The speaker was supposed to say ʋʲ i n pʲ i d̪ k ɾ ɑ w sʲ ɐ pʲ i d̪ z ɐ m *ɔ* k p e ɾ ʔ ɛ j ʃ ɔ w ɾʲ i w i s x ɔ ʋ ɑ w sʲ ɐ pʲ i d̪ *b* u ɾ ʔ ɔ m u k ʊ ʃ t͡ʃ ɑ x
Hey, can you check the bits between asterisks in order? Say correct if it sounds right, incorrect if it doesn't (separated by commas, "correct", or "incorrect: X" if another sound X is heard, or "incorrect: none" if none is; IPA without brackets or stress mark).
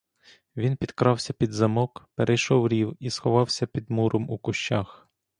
correct, incorrect: m